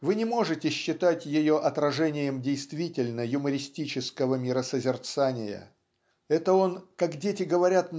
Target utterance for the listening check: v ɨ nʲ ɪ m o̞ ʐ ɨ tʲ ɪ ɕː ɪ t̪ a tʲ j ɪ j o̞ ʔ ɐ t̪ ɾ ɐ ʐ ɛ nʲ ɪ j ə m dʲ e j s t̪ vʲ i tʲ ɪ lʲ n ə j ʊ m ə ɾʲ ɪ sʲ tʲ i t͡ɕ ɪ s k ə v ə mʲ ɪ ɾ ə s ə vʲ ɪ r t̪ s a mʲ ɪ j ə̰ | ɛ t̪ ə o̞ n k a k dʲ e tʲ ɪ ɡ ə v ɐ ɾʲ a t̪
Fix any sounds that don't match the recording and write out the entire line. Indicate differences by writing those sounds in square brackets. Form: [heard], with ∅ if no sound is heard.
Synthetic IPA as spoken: v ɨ nʲ ɪ m o̞ ʐ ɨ tʲ ɪ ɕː ɪ t̪ a tʲ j ɪ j o̞ ʔ ɐ t̪ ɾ ɐ ʐ ɛ nʲ ɪ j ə m dʲ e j s t̪ vʲ i tʲ ɪ lʲ n ə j ʊ m ə ɾʲ ɪ sʲ tʲ i t͡ɕ ɪ s k ə v ə mʲ ɪ ɾ ə s ə [zʲ] ɪ r t̪ s a [nʲ] ɪ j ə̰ | ɛ t̪ ə o̞ n k a k dʲ e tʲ ɪ ɡ ə v ɐ ɾʲ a t̪